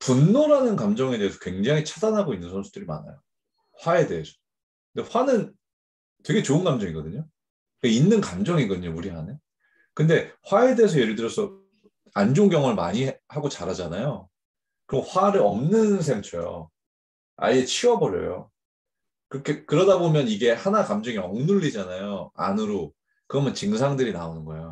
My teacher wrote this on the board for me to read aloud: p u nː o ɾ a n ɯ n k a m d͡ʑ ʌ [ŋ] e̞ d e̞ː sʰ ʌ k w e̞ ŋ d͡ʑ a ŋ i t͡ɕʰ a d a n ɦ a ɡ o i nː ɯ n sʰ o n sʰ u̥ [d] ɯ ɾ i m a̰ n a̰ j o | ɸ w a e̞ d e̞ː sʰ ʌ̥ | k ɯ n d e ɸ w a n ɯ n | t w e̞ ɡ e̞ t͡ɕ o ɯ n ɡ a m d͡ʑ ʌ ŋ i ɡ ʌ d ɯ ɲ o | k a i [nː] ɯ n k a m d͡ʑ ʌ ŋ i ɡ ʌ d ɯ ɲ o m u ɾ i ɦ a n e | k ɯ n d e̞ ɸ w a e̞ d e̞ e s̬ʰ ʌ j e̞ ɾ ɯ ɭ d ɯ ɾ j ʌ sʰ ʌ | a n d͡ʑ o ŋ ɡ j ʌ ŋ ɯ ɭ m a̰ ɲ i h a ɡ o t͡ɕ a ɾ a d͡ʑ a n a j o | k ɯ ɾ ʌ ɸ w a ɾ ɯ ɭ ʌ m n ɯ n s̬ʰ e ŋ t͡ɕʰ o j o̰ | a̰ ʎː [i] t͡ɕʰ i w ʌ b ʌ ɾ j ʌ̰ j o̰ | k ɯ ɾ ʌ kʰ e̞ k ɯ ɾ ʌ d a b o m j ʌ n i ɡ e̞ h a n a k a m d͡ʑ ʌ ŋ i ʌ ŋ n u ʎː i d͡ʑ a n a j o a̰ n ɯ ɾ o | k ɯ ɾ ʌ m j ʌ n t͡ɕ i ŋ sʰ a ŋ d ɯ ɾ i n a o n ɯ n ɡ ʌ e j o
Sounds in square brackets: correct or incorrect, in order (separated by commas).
correct, correct, correct, incorrect